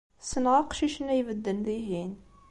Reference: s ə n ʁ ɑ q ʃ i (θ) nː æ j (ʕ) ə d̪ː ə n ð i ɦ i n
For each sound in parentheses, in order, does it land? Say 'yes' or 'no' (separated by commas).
no, no